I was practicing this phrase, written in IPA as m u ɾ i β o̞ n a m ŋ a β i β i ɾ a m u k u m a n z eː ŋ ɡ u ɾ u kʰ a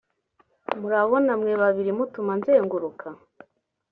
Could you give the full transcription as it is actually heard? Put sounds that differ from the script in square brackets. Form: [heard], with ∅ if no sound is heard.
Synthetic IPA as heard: m u ɾ [a] β o̞ n a m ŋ [e] β [a] β i ɾ [i] m u [t] u m a n z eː ŋ ɡ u ɾ u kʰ a